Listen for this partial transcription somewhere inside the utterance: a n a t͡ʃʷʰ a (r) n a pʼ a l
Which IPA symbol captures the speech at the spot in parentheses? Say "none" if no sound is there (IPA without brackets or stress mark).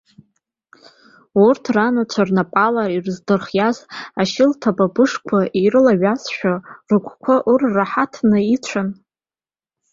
r